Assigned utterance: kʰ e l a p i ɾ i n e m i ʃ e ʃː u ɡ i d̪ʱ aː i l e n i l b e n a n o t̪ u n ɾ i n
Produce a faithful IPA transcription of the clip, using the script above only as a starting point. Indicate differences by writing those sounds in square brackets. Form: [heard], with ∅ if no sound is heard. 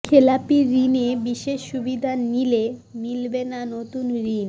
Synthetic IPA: kʰ e l a p i ɾ i n e [b] i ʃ e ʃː u [b] i d̪ʱ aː i l e [m] i l b e n a n o t̪ u n ɾ i n